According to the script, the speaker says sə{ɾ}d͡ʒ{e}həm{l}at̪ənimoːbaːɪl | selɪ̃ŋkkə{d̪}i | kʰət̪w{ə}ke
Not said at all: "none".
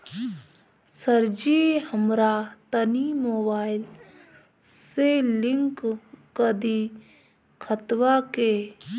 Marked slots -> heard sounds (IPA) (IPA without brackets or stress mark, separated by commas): ɾ, i, ɾ, d̪, a